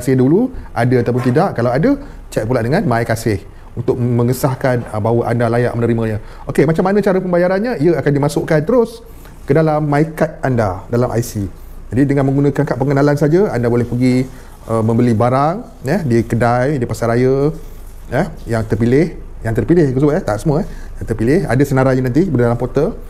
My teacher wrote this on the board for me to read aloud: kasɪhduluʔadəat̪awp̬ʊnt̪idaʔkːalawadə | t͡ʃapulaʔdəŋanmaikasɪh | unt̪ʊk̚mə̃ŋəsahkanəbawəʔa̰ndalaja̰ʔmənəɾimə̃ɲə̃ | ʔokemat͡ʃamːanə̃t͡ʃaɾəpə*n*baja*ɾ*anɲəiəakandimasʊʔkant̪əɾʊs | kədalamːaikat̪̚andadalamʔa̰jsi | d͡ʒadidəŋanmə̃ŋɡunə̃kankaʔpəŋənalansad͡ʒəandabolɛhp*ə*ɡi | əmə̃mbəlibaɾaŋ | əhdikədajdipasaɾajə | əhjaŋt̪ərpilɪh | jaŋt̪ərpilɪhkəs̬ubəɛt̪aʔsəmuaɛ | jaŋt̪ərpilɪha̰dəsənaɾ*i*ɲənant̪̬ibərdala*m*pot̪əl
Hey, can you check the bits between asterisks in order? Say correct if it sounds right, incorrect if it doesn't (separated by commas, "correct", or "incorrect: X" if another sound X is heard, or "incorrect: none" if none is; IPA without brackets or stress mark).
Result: incorrect: m, correct, correct, incorrect: a, correct